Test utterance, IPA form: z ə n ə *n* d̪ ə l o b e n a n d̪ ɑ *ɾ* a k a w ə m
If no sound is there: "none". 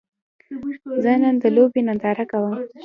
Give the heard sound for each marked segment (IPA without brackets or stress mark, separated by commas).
n, ɾ